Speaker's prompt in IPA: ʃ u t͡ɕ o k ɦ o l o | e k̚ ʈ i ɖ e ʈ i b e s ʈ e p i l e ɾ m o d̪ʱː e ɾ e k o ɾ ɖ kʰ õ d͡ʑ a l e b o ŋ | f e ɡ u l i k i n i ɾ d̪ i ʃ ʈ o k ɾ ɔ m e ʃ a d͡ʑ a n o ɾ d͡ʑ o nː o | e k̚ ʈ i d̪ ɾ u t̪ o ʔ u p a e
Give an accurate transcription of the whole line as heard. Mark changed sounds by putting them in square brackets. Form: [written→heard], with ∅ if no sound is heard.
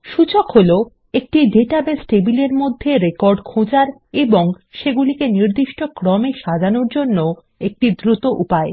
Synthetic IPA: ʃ u t͡ɕ o k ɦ o l o | e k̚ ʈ i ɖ e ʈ [i→a] b e s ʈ e [p→b] i l e ɾ m o d̪ʱː e ɾ e k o ɾ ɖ kʰ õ d͡ʑ a [l→ɾ] e b o ŋ | [f→ʃ] e ɡ u l i k [i→e] n i ɾ d̪ i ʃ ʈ o k ɾ ɔ m e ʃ a d͡ʑ a n o ɾ d͡ʑ o nː o | e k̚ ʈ i d̪ ɾ u t̪ o ʔ u p a e

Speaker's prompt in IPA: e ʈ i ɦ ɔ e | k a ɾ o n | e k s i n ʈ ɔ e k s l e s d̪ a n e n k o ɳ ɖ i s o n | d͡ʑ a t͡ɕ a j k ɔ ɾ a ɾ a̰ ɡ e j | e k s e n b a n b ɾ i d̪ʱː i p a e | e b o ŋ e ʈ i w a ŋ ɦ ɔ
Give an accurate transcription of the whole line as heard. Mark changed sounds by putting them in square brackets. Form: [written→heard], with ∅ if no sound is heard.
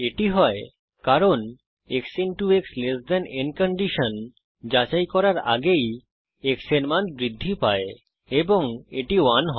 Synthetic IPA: e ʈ i ɦ ɔ e | k a ɾ o n | e k s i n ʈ [ɔ→u] e k s l e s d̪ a n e n k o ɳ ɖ i [s→ʃ] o n | d͡ʑ a t͡ɕ a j k ɔ ɾ a ɾ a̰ ɡ e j | e k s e n [b→m] a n b ɾ i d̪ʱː i p a e | e b o ŋ e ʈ i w a [ŋ→n] ɦ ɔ

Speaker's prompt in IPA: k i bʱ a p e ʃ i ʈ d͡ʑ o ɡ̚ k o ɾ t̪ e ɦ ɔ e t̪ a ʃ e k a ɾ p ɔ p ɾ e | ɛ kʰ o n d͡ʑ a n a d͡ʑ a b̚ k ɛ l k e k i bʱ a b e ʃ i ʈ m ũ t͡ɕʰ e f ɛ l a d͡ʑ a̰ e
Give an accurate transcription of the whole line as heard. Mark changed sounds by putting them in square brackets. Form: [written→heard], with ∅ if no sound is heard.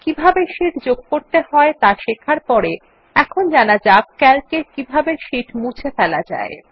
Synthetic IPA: k i bʱ a [p→b] e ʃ i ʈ d͡ʑ o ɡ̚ k o ɾ t̪ e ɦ ɔ e t̪ a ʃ e [k→kʰ] a ɾ p ɔ [p→∅] ɾ e | ɛ kʰ o n d͡ʑ a n a d͡ʑ a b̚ k ɛ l k e k i bʱ a b e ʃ i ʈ m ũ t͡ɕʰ e f ɛ l a d͡ʑ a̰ e

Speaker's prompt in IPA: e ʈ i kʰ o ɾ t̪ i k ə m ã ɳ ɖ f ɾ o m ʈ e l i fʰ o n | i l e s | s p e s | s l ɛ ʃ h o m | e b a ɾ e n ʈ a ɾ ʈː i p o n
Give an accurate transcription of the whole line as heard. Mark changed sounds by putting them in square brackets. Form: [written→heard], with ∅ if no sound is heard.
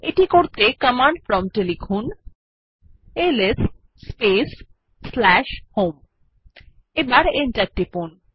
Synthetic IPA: e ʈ i [kʰ→k] o ɾ t̪ [i→e] k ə m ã ɳ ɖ f ɾ [o→ɔ] m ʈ e l i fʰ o n | [i→e] l e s | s p e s | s l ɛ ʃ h o m | e b a ɾ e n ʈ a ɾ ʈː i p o n

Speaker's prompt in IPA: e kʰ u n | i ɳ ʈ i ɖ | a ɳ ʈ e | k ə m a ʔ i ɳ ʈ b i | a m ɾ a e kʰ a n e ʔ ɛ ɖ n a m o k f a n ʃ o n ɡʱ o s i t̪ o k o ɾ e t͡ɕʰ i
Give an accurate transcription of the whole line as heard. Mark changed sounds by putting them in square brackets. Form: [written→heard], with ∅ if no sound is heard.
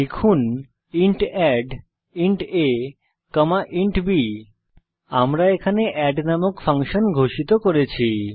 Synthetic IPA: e kʰ u n | i ɳ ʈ [i→ɛ] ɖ | [a→i] ɳ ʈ e | k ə m a ʔ i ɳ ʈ b i | a m ɾ a e kʰ a n e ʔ ɛ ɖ n a m o k f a [n→ŋ] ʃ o n ɡʱ o [s→ʃ] i t̪ o k o ɾ e t͡ɕʰ i

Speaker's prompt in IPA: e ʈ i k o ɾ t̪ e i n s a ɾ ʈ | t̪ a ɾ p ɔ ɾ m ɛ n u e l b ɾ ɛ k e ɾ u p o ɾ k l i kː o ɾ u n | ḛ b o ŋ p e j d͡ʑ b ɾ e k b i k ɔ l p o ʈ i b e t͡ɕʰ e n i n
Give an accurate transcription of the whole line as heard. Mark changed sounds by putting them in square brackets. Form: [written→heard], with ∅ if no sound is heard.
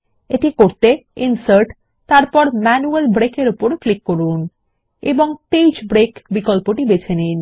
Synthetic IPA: e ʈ i k o ɾ t̪ e i n s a ɾ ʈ | t̪ a ɾ p ɔ ɾ m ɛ n u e l b ɾ [ɛ→e] k e ɾ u p o ɾ k l i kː o ɾ u n | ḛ b o ŋ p e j d͡ʑ b ɾ e k b i k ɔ l p o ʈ i b e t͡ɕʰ e n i n

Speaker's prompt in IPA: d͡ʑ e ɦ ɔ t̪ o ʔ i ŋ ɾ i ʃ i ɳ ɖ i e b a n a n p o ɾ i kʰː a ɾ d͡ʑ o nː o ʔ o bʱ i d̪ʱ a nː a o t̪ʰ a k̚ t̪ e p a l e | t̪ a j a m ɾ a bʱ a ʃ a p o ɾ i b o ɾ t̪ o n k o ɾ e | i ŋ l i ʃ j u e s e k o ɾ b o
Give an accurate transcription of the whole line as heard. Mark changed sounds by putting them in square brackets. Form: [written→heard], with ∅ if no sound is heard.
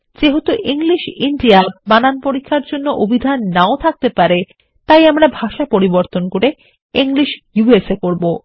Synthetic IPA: d͡ʑ e ɦ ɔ t̪ o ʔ i ŋ [ɾ→l] i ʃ i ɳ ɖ i [e→a] b a n a n p o ɾ i kʰː a ɾ d͡ʑ o nː o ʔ o bʱ i d̪ʱ a nː a o t̪ʰ a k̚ t̪ e p a [l→ɾ] e | t̪ a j a m ɾ a bʱ a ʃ a p o ɾ i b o ɾ t̪ o n k o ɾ e | i ŋ l i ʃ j u e s e k o ɾ b o

